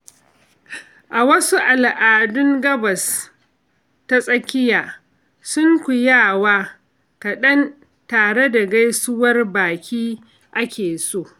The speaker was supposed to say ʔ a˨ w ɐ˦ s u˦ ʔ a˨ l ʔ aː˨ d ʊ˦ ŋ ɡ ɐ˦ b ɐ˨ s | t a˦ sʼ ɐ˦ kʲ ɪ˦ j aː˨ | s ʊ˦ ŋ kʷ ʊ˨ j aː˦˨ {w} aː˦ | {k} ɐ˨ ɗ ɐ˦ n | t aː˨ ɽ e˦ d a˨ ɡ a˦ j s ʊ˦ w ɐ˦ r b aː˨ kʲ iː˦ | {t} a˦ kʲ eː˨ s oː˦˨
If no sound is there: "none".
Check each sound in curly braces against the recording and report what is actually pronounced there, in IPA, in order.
w, k, ʔ

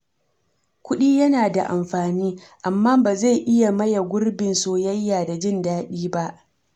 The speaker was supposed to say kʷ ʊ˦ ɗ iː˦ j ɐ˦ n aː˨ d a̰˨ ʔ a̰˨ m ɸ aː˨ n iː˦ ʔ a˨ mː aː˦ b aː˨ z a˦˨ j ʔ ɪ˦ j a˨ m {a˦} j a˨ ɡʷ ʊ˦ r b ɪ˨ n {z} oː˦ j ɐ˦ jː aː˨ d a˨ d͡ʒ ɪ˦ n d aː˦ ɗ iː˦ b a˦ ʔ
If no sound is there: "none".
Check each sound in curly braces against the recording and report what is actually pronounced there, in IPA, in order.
ɐ˦, s

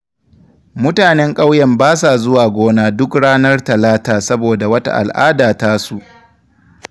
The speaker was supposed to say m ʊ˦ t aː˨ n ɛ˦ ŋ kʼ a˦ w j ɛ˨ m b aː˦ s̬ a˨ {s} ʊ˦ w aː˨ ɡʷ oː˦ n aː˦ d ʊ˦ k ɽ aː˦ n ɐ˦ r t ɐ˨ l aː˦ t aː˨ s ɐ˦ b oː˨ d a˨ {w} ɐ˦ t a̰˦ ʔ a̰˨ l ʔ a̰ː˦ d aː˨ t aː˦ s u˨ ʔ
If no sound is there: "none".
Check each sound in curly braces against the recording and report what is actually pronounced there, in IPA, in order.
z, w

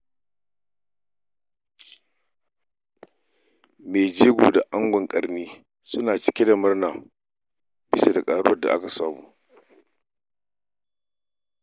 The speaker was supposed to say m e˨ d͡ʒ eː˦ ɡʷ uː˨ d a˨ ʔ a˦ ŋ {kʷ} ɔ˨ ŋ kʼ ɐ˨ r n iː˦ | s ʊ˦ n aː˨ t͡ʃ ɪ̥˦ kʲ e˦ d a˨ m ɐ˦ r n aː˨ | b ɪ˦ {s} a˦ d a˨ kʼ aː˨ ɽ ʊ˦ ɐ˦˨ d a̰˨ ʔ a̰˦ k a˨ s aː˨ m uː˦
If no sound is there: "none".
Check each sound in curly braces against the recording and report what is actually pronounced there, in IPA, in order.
ɡʷ, s

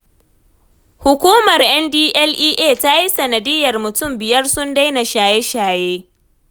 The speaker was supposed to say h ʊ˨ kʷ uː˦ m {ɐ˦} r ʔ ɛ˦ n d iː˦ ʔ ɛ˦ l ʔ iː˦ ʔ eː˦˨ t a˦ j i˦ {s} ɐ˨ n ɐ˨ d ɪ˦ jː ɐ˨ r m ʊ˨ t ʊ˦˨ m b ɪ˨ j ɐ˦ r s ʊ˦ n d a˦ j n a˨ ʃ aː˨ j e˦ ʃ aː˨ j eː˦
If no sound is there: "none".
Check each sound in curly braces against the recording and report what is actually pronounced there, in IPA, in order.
ɐ˨, s

